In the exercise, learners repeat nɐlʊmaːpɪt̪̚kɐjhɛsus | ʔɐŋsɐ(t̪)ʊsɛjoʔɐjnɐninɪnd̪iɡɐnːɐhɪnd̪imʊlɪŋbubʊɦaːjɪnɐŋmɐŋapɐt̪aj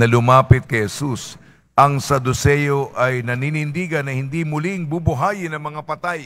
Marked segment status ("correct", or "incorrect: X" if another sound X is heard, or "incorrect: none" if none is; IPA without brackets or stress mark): incorrect: d̪